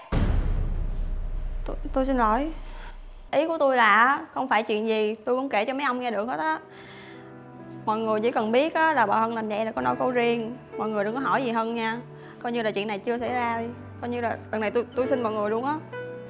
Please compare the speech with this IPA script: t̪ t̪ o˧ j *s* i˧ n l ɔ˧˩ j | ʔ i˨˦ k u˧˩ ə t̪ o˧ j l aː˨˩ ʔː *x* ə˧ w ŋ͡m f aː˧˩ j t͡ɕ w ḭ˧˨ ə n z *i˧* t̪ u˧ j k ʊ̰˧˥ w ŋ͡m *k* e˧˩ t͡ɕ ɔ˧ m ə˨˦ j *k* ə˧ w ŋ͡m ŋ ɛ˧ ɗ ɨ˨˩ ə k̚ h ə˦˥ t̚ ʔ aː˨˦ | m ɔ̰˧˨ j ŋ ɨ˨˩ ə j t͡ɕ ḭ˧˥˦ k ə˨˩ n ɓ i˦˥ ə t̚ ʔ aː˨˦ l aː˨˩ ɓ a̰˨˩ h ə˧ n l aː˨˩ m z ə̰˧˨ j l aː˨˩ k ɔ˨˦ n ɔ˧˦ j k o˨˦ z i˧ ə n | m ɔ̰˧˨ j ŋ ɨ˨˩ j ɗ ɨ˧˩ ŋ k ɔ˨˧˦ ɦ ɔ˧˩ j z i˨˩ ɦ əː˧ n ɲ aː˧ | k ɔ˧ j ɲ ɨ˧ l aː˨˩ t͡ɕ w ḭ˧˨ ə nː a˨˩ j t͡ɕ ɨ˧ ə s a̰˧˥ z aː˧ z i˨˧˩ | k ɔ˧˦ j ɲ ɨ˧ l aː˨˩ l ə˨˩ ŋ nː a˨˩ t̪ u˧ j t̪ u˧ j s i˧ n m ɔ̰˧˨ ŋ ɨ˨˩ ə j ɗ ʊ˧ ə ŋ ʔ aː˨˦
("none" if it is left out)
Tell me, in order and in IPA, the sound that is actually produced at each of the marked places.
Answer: s, x, i˨˩, k, ʔ

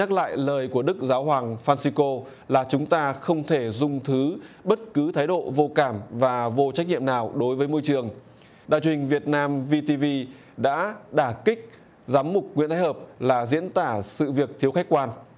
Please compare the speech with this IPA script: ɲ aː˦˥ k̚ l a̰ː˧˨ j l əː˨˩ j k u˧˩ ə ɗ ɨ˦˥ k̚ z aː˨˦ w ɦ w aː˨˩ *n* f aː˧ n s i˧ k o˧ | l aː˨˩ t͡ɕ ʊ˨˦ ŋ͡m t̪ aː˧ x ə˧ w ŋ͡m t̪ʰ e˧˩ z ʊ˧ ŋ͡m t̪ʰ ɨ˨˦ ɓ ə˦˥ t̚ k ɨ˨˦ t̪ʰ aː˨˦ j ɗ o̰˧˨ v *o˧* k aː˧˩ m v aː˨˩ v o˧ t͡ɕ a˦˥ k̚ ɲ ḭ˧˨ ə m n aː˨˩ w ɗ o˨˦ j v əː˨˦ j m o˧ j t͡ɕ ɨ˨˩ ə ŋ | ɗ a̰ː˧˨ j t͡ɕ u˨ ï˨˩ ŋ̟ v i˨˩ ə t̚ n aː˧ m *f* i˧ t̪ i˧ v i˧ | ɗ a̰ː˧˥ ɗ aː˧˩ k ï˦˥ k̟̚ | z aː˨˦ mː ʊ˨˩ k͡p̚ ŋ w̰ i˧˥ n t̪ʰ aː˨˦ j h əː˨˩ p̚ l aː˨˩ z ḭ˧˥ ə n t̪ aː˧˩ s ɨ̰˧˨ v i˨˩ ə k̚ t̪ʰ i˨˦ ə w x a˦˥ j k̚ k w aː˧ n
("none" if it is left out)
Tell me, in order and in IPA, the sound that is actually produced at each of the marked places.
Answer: ŋ, o˧, v

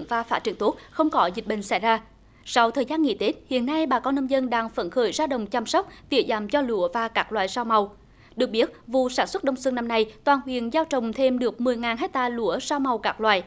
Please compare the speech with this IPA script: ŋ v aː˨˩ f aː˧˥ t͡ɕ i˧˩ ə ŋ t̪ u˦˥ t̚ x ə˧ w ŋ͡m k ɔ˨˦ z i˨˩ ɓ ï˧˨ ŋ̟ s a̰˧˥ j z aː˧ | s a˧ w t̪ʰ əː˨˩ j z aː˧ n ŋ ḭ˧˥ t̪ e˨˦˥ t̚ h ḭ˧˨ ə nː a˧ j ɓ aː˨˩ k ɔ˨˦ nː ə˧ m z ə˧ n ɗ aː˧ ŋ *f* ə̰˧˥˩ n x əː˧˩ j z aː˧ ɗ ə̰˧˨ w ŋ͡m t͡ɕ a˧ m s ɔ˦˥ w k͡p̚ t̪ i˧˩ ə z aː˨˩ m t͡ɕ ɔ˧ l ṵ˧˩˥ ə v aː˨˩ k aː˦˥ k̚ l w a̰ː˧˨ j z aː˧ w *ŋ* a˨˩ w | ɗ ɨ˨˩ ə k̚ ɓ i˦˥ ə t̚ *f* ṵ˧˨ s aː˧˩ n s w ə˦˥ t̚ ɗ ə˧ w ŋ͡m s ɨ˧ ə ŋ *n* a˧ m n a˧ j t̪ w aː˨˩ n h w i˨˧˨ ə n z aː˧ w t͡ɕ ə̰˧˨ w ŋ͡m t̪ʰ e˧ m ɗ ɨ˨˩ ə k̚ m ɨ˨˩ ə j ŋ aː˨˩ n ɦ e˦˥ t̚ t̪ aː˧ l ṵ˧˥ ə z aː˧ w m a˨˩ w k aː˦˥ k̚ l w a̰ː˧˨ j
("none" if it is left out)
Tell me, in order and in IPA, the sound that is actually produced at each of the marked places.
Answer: f, m, v, n

